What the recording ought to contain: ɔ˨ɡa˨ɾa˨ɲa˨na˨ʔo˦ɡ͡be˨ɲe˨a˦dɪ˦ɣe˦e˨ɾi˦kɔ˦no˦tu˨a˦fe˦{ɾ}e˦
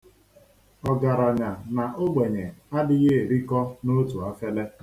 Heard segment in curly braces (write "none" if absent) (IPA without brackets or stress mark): l